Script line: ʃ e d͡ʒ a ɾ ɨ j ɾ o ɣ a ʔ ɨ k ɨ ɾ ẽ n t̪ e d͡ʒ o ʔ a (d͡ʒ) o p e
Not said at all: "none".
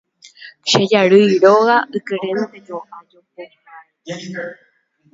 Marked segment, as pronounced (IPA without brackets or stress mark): d͡ʒ